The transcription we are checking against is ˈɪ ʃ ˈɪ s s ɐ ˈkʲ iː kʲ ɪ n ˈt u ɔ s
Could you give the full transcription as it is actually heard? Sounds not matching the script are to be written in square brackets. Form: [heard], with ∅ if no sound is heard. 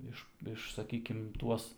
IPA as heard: ˈɪ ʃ ˈɪ [ʃ] s ɐ ˈkʲ iː kʲ ɪ [m] ˈt u ɔ s